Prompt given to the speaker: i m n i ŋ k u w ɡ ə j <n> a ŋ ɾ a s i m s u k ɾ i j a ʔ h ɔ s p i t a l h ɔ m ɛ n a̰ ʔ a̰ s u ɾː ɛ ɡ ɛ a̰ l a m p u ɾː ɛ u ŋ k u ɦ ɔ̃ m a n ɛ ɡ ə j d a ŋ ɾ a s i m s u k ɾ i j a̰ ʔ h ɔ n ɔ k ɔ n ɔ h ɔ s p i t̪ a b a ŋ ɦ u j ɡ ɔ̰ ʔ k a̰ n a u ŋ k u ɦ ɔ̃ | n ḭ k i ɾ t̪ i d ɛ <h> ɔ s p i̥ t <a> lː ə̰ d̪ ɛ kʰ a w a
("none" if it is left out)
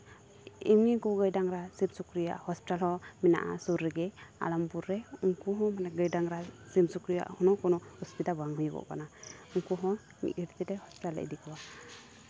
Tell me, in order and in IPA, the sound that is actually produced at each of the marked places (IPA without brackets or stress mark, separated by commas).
d, h, a